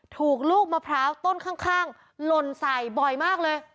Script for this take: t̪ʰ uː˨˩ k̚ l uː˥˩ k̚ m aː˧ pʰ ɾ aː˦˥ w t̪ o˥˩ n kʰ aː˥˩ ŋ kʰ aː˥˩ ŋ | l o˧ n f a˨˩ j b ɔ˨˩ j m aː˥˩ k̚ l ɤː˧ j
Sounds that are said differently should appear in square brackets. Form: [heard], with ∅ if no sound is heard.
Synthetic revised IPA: t̪ʰ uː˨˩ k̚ l uː˥˩ k̚ m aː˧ pʰ ɾ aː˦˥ w t̪ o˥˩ n kʰ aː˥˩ ŋ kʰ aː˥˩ ŋ | l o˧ n [s] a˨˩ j b ɔ˨˩ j m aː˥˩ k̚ l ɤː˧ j

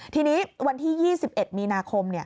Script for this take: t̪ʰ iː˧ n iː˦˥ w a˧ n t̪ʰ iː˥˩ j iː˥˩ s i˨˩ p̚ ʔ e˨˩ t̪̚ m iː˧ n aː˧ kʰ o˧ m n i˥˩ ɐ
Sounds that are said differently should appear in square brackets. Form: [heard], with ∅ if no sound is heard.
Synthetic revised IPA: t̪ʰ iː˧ n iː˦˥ w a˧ n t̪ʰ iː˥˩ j iː˥˩ s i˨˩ p̚ ʔ e˨˩ t̪̚ m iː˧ n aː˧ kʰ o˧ m n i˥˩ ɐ

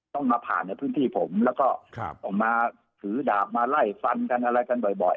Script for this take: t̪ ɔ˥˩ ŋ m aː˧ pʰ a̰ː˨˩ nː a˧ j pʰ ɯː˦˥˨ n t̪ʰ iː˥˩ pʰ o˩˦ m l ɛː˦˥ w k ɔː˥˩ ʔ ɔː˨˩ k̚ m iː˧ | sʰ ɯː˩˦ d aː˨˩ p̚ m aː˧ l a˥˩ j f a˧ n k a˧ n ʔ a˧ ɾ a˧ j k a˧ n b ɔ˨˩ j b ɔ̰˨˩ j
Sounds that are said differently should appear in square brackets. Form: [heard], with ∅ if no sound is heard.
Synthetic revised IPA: t̪ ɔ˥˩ ŋ m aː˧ pʰ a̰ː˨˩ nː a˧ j pʰ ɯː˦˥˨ n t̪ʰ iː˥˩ pʰ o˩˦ m l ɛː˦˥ w k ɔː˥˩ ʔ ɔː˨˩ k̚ m [aː˧] | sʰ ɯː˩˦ d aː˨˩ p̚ m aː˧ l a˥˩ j f a˧ n k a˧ n ʔ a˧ ɾ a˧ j k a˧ n b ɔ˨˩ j b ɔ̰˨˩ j

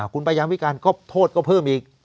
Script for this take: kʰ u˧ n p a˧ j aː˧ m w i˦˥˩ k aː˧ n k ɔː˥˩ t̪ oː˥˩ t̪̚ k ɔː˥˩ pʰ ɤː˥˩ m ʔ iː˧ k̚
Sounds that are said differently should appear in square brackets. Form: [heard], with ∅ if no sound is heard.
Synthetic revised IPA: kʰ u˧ n p a˧ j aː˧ m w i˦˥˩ k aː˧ n k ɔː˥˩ [t̪ʰ] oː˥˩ t̪̚ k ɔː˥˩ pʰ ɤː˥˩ m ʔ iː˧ k̚

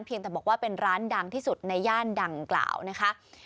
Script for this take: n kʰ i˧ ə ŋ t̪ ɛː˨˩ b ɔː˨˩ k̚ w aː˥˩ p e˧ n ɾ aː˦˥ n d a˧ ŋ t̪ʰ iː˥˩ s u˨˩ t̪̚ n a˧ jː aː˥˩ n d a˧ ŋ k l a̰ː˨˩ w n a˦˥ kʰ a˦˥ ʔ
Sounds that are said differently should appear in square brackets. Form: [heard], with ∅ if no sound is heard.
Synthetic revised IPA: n [pʰ] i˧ ə ŋ t̪ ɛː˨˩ b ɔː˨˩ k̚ w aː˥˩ p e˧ n ɾ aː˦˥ n d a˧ ŋ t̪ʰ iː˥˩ s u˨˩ t̪̚ n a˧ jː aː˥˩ n d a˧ ŋ k l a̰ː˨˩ w n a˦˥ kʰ a˦˥ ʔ

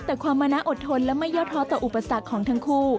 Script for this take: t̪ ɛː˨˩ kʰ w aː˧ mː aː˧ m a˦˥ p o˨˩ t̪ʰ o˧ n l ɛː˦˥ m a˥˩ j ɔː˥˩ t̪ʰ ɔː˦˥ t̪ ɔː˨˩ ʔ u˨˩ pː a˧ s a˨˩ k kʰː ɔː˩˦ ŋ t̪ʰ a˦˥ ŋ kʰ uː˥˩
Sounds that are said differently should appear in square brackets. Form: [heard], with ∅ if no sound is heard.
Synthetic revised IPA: t̪ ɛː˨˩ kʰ w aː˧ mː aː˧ [n] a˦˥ [ʔ] o˨˩ t̪ʰ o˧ n l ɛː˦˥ m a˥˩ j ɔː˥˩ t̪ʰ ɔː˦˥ t̪ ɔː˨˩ ʔ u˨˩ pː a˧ s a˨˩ k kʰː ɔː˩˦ ŋ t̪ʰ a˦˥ ŋ kʰ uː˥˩

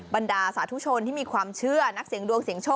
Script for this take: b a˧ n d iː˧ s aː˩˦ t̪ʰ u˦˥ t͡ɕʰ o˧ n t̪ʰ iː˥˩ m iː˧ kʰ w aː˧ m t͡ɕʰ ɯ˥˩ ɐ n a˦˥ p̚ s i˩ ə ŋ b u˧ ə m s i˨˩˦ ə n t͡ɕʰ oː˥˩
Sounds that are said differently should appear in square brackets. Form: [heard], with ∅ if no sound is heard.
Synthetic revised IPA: b a˧ n d [aː˧] s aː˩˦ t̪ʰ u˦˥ t͡ɕʰ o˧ n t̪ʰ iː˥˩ m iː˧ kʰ w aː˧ m t͡ɕʰ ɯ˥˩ ɐ n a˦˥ [k̚] s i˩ ə ŋ [d] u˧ ə [ŋ] s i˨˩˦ ə [ŋ] t͡ɕʰ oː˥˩

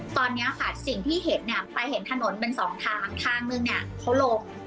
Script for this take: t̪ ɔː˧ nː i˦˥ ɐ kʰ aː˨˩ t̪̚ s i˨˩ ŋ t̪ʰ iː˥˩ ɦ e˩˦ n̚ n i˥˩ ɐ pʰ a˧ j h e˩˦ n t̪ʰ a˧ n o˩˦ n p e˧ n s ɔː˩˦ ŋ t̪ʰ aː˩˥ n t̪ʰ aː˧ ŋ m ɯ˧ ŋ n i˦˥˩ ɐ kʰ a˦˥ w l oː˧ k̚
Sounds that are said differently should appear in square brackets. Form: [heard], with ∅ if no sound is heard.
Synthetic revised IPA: t̪ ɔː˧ nː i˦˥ ɐ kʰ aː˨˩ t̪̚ s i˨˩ ŋ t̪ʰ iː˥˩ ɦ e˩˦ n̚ n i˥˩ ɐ [p] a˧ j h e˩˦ n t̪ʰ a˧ n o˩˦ n p e˧ n s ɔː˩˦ ŋ t̪ʰ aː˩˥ [ŋ] t̪ʰ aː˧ ŋ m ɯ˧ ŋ n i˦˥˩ ɐ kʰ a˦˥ w l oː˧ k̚

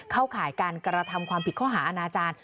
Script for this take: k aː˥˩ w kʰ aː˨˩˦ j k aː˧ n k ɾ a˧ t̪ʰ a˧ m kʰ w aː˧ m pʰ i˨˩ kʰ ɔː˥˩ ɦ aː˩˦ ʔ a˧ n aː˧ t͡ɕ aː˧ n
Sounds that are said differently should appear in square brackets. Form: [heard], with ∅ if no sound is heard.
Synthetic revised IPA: [kʰ] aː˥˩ w kʰ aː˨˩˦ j k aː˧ n k ɾ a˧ t̪ʰ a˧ m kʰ w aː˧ m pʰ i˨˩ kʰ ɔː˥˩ ɦ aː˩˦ ʔ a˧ n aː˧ t͡ɕ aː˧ n

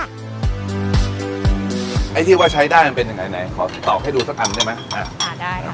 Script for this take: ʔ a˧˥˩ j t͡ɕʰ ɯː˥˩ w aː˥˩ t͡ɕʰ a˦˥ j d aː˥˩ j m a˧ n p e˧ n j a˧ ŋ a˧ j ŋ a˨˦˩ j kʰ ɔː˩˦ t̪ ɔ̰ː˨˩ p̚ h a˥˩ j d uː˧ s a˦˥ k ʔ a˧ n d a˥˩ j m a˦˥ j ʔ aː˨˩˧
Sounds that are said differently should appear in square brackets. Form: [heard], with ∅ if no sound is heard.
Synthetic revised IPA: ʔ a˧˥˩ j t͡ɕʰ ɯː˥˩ w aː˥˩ t͡ɕʰ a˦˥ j d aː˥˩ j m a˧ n p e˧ n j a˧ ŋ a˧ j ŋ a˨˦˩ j kʰ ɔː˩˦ t̪ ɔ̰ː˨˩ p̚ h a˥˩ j d uː˧ s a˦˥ k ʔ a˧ n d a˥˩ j m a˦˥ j ʔ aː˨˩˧

